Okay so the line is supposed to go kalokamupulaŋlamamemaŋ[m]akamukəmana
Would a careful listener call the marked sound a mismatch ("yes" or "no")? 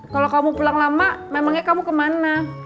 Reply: yes